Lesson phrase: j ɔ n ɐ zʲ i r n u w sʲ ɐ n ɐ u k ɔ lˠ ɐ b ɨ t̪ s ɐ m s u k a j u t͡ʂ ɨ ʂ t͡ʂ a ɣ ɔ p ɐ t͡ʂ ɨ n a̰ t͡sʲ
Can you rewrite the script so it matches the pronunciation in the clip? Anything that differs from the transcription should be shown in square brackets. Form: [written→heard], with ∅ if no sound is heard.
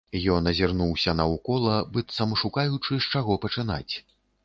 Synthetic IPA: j ɔ n ɐ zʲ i r n u w sʲ ɐ n ɐ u k ɔ lˠ ɐ b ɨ t̪ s ɐ m [s→ʂ] u k a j u t͡ʂ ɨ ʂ t͡ʂ a ɣ ɔ p ɐ t͡ʂ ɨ n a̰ t͡sʲ